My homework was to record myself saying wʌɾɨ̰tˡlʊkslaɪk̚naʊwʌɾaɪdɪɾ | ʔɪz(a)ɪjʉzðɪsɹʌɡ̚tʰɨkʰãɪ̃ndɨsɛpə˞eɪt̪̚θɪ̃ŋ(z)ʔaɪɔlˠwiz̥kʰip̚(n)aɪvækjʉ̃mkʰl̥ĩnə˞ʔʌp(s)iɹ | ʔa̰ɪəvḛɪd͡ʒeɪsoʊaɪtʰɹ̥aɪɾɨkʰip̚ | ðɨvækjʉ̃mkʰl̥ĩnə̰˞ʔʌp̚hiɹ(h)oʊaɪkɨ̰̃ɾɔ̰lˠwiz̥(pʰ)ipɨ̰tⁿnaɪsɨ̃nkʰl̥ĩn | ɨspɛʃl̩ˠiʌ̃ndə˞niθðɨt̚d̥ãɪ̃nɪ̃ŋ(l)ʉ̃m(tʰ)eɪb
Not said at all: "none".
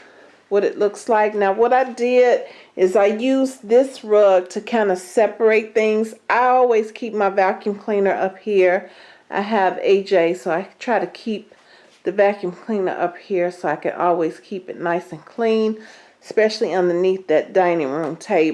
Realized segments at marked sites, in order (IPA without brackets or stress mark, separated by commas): a, z, m, h, s, kʰ, ɹ, tʰ